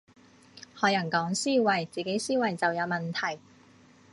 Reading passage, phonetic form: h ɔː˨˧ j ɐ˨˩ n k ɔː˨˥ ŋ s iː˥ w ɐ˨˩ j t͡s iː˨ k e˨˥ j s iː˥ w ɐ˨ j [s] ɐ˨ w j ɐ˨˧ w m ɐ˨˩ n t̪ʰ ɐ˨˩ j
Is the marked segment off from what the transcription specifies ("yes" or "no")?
yes